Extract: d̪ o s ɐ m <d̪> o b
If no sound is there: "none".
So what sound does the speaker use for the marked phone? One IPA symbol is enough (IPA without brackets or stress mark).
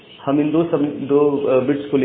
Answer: d̪